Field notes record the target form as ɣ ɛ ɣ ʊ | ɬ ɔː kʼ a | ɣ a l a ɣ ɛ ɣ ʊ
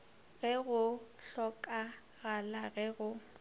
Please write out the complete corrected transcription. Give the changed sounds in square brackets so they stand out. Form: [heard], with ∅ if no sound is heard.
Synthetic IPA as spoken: ɣ ɛ ɣ ʊ | ɬ [ɔ] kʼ a | ɣ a l a ɣ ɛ ɣ ʊ